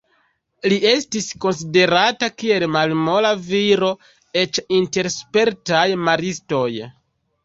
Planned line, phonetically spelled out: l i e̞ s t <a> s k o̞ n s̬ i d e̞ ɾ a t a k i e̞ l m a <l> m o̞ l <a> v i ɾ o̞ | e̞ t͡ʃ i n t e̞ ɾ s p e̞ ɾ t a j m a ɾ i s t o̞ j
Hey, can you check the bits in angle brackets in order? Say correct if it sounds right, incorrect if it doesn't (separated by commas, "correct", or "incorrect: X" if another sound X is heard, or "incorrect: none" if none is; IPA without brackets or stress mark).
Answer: incorrect: i, correct, correct